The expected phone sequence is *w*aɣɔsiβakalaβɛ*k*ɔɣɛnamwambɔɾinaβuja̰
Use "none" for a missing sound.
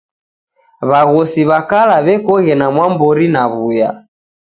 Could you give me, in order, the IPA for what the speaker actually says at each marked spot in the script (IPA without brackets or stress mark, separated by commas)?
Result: β, k